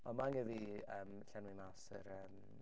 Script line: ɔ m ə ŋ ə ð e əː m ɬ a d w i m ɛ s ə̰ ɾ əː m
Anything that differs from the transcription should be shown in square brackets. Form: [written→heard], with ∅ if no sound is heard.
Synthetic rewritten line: ɔ m [ə→a] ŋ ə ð [e→i] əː m ɬ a [d→n] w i m [ɛ→a] s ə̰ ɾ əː m